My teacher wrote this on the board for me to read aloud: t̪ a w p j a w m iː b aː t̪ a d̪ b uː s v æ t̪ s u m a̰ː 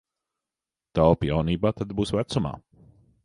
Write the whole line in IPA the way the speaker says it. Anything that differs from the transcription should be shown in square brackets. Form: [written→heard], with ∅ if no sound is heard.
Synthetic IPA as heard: t̪ a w p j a w [m→n] iː b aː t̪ a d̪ b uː s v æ t̪ s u m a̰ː